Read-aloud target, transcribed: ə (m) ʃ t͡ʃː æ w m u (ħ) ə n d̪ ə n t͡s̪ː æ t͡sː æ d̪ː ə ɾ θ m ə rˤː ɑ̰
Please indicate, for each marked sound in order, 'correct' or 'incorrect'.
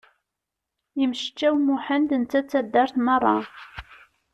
correct, correct

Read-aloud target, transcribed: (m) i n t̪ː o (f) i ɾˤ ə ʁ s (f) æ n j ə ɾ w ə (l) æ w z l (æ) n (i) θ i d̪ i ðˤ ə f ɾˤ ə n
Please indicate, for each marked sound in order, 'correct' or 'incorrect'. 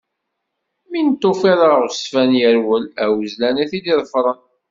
correct, correct, correct, correct, correct, incorrect: æ

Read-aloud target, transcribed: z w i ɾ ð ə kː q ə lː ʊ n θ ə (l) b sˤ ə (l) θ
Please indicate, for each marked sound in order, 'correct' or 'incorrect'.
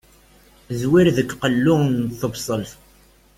incorrect: none, correct

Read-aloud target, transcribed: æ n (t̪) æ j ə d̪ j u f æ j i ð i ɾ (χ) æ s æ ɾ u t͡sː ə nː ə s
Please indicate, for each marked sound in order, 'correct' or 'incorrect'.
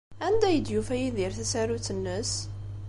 incorrect: d̪, incorrect: θ

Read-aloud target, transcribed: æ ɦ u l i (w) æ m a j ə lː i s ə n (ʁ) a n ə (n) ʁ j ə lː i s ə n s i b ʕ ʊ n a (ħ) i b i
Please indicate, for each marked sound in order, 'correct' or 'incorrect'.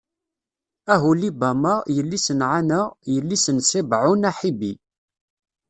incorrect: b, incorrect: ʕ, incorrect: none, correct

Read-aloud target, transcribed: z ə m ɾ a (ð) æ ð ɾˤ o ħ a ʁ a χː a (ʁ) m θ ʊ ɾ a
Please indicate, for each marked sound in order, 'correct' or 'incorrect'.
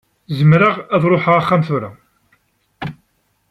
incorrect: ʁ, incorrect: none

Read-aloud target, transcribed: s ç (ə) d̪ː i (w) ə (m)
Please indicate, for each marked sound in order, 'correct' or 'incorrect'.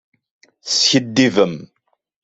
correct, incorrect: v, correct

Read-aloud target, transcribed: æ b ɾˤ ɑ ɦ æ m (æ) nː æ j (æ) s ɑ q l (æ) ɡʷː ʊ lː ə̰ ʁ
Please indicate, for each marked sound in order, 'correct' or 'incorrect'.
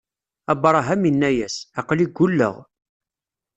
incorrect: i, correct, incorrect: i

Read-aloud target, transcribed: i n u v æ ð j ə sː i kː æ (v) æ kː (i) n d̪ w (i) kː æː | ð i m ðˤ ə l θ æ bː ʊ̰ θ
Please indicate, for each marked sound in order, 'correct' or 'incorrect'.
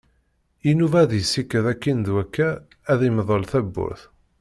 incorrect: ð, correct, incorrect: æ

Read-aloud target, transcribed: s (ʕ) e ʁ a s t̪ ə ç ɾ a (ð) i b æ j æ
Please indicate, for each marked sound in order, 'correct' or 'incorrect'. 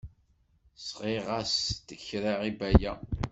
incorrect: ʁ, incorrect: ʁ

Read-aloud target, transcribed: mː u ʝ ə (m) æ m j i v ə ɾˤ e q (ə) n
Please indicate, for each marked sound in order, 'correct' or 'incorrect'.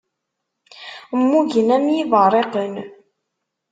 incorrect: n, correct

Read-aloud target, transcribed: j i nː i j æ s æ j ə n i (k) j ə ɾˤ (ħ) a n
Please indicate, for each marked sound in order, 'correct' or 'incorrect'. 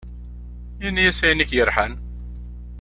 correct, correct

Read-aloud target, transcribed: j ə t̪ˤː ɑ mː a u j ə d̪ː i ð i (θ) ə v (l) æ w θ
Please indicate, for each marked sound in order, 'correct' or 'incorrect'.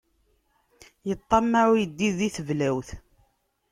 correct, correct

